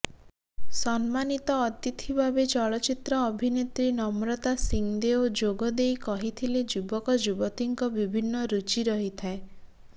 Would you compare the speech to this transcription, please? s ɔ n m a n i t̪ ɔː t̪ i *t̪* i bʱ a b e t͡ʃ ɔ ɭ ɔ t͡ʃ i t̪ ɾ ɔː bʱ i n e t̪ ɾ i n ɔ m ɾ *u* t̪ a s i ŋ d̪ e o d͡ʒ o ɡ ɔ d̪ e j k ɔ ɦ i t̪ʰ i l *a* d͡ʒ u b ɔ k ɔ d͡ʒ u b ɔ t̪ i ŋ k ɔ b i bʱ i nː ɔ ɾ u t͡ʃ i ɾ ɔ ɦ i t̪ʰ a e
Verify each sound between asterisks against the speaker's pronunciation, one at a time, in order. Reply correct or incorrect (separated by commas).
incorrect, incorrect, incorrect